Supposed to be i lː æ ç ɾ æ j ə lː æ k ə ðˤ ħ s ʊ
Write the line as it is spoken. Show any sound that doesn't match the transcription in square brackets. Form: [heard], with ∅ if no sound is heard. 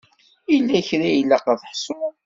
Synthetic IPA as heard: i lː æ ç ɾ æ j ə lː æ [q] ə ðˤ ħ s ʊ